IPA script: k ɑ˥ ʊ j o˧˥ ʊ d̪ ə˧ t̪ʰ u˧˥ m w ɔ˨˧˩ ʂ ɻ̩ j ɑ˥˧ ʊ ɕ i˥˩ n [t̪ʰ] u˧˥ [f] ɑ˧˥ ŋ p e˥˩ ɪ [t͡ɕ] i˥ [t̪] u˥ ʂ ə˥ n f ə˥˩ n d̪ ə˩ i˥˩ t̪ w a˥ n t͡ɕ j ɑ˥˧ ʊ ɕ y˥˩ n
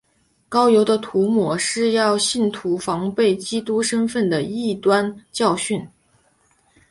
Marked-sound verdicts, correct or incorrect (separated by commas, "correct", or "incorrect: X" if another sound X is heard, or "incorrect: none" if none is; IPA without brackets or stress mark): correct, correct, correct, correct